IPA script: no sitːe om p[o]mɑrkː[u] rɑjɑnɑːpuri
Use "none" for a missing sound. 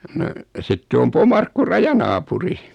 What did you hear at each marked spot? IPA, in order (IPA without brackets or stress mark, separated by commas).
o, u